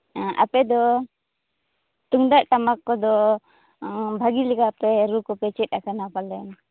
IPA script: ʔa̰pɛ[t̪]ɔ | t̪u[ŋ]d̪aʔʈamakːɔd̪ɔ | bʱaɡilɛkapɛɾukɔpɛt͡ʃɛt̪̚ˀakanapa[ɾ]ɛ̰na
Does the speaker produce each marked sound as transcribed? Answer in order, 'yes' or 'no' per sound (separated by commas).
no, yes, no